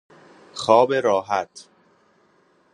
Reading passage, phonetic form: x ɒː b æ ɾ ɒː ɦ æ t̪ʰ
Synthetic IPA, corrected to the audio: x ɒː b e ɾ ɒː ɦ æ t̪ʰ

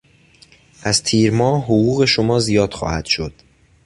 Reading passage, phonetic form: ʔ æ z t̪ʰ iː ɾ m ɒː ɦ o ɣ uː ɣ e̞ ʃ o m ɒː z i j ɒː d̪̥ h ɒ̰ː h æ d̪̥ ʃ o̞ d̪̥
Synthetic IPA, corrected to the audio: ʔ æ z t̪ʰ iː ɾ m ɒː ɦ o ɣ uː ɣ e̞ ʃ o m ɒː z i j ɒː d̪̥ x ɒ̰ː h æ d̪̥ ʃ o̞ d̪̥

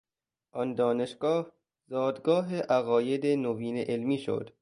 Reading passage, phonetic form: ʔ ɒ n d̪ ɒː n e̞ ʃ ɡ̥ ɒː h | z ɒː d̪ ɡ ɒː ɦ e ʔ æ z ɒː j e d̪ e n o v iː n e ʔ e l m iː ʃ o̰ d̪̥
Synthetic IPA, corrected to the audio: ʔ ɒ n d̪ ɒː n e̞ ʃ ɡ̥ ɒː h | z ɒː d̪ ɡ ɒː ɦ e ʔ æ ɣ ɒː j e d̪ e n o v iː n e ʔ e l m iː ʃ o̰ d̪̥

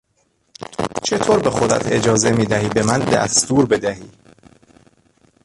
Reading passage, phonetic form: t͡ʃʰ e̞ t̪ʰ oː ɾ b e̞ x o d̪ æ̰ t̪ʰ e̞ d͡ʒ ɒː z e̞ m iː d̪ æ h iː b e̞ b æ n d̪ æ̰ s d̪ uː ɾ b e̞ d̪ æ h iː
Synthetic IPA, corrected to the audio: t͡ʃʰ e̞ t̪ʰ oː ɾ b e̞ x o d̪ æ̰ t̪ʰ e̞ d͡ʒ ɒː z e̞ m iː d̪ æ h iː b e̞ m æ n d̪ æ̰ s t̪ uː ɾ b e̞ d̪ æ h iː

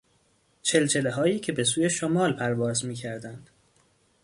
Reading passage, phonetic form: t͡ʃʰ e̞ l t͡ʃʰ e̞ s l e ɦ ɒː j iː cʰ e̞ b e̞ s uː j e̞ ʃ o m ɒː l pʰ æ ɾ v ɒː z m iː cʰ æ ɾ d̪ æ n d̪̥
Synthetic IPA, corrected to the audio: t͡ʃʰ e̞ l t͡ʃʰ e̞ l e ɦ ɒː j iː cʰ e̞ b e̞ s uː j e̞ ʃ o m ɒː l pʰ æ ɾ v ɒː z m iː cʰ æ ɾ d̪ æ n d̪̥

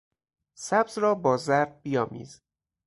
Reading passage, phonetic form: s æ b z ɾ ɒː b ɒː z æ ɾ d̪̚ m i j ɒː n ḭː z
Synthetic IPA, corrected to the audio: s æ b z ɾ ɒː b ɒː z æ ɾ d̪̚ b i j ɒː m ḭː z

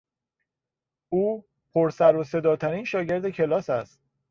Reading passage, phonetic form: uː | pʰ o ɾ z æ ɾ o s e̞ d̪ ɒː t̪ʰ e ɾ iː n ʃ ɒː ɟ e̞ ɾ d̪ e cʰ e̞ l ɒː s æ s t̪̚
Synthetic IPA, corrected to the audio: uː | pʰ o ɾ s æ ɾ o s e̞ d̪ ɒː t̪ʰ æ ɾ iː n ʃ ɒː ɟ e̞ ɾ d̪ e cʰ e̞ l ɒː s æ s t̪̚

